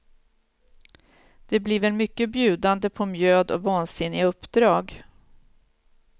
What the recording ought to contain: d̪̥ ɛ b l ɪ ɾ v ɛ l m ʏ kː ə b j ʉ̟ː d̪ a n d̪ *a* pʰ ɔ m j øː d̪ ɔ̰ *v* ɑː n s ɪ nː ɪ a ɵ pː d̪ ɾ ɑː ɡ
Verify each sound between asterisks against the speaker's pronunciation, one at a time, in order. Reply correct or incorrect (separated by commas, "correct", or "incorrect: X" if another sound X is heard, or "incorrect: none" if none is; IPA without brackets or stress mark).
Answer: incorrect: ə, correct